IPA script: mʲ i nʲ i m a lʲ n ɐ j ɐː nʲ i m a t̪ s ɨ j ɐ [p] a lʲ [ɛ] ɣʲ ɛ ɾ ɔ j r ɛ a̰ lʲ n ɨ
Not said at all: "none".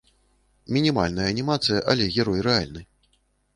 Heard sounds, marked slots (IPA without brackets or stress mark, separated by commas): ʔ, ɛ